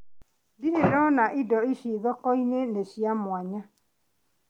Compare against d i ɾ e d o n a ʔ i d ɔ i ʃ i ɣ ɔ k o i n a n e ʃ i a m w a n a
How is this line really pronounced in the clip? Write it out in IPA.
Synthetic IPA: d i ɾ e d ɔ n a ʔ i d ɔ i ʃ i ð ɔ k ɔ i n e n e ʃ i a m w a ɲ a